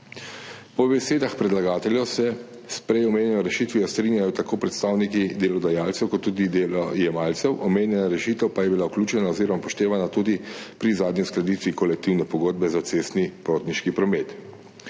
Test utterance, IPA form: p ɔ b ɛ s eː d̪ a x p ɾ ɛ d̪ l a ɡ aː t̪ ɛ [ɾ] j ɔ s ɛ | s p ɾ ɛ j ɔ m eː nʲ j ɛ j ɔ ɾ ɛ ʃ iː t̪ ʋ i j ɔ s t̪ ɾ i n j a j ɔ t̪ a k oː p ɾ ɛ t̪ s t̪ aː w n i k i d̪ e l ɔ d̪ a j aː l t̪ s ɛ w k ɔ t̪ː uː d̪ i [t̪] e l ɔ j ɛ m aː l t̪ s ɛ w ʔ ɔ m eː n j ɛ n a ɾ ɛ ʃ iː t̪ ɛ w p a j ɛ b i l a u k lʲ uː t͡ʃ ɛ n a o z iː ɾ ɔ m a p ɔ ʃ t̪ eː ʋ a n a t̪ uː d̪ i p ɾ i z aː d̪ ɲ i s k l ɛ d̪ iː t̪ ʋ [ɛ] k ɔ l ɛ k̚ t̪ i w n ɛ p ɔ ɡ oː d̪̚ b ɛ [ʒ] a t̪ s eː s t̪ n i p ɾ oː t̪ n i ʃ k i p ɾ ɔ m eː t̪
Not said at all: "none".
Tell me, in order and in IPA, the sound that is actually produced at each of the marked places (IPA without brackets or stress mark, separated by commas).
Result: l, d̪, i, z